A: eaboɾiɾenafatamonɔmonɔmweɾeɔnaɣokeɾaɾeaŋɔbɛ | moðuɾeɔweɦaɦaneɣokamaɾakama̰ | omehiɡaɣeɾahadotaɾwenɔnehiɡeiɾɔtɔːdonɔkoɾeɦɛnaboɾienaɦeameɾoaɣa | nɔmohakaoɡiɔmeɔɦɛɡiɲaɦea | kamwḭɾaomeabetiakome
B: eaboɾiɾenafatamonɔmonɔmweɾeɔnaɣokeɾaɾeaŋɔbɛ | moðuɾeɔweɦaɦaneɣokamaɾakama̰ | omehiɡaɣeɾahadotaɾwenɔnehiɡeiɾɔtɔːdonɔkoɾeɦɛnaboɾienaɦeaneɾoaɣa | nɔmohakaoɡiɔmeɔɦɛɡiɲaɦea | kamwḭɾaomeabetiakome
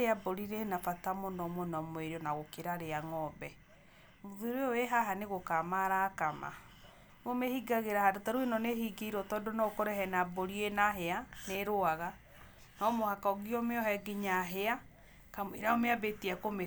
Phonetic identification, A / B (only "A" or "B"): B